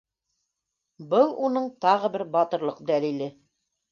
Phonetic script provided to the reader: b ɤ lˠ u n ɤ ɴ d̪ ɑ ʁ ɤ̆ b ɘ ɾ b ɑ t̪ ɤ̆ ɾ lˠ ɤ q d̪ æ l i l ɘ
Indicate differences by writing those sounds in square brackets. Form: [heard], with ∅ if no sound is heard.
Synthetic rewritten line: b ɤ lˠ u n ɤ ɴ [t̪] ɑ ʁ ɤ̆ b ɘ ɾ b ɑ t̪ ɤ̆ ɾ lˠ ɤ q d̪ æ l i l ɘ